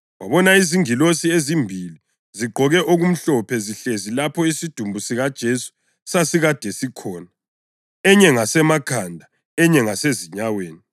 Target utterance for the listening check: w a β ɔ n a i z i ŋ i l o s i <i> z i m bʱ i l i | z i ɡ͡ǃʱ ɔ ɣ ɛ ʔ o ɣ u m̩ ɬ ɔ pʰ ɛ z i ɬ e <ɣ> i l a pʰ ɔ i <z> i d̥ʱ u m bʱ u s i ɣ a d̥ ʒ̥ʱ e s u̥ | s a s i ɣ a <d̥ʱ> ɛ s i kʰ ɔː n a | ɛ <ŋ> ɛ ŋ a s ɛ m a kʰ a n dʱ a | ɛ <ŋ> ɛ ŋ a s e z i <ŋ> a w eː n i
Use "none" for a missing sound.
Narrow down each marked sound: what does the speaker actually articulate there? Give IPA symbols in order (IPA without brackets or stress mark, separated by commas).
e, z, s, d̥ʱ, ɲ, ɲ, ɲ